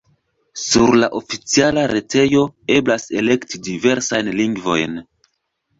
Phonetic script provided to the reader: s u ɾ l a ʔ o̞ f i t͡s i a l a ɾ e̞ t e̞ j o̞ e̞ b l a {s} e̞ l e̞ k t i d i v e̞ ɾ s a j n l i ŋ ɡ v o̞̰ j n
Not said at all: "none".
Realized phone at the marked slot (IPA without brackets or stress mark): s